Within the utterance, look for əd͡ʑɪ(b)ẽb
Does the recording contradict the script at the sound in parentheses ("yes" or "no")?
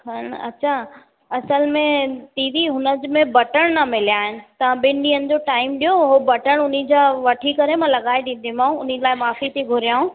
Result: yes